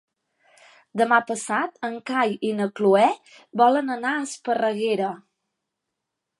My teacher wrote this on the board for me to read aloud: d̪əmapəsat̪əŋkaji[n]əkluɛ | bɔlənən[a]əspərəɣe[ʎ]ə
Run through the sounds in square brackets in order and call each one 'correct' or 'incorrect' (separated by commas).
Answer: correct, correct, incorrect